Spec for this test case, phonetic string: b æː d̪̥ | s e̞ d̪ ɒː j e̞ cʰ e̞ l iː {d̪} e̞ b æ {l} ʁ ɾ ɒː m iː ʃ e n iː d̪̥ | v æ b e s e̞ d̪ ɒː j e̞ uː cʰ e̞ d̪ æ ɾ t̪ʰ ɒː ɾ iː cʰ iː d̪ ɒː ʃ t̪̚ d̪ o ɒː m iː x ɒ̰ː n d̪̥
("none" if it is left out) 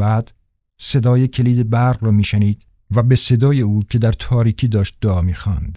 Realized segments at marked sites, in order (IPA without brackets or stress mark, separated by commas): d̪, ɾ